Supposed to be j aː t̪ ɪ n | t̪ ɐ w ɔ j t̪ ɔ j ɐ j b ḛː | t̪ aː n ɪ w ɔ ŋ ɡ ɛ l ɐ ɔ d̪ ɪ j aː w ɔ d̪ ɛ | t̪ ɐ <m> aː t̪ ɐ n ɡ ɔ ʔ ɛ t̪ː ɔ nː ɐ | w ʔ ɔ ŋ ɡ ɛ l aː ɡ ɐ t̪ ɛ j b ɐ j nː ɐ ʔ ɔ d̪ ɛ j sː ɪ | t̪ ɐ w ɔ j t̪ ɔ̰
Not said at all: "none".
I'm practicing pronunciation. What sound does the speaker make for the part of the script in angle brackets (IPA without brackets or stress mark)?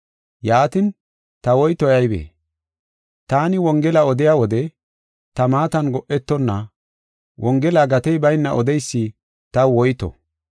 m